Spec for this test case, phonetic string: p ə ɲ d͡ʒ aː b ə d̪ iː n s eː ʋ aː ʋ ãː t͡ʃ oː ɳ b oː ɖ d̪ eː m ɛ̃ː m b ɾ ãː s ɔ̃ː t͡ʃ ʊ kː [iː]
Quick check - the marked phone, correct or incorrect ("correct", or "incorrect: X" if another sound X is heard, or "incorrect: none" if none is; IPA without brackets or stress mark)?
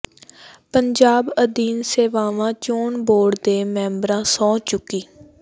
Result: correct